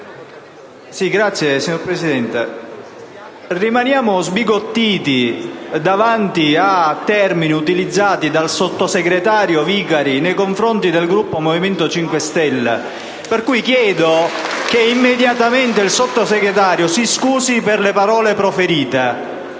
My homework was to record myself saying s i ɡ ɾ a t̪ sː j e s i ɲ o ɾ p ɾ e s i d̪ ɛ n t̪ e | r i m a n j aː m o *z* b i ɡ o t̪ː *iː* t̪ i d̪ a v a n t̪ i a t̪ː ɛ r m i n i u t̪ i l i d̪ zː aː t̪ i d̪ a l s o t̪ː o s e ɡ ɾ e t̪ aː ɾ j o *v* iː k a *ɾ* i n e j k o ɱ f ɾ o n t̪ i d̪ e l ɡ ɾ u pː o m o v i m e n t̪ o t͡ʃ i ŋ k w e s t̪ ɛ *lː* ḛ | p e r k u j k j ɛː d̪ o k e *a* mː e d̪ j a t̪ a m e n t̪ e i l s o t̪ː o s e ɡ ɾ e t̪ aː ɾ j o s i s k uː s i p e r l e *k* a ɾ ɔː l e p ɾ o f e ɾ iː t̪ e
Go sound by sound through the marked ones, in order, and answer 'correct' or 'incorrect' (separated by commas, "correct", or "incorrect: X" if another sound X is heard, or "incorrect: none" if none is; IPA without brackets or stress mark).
correct, correct, correct, correct, correct, incorrect: i, incorrect: p